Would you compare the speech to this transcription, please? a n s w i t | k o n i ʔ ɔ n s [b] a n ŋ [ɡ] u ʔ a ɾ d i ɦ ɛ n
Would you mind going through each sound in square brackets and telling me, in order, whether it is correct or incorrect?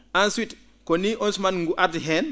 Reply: incorrect: m, correct

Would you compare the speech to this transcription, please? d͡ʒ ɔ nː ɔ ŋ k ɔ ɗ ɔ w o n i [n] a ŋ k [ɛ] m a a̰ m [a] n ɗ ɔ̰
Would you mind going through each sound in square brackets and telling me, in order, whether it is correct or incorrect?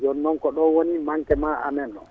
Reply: incorrect: m, correct, incorrect: ɛ

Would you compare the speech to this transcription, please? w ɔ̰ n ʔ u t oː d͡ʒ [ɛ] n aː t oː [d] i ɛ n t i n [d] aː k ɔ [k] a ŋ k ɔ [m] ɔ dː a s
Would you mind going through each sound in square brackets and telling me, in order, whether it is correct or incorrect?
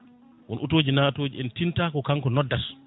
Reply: incorrect: i, incorrect: d͡ʒ, incorrect: t, correct, incorrect: n

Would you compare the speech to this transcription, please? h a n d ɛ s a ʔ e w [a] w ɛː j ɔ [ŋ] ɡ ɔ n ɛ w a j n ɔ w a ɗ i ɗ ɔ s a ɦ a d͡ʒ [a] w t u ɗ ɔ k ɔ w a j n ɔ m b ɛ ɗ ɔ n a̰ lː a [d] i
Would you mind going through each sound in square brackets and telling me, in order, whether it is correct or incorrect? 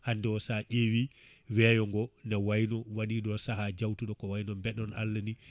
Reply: incorrect: i, correct, correct, incorrect: n

